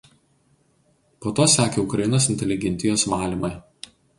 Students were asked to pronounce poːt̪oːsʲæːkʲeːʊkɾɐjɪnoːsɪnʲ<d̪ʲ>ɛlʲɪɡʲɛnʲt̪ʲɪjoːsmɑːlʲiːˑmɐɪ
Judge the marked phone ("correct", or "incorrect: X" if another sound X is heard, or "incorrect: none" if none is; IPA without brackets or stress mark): incorrect: t̪ʲ